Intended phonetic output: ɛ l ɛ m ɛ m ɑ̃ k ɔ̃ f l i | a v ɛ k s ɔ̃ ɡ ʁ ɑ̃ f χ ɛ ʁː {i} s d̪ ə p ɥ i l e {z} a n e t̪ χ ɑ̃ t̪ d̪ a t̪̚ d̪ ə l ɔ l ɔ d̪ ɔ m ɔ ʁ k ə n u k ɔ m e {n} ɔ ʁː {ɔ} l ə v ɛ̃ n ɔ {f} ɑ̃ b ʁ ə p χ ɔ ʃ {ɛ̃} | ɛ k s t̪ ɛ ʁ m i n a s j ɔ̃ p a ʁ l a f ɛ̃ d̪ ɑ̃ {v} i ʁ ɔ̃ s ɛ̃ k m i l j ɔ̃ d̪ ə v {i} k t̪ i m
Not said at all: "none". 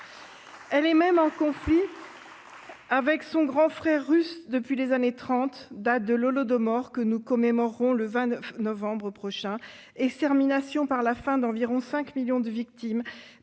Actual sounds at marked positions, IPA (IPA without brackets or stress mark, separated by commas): y, z, m, ɔ̃, v, ɛ̃, v, i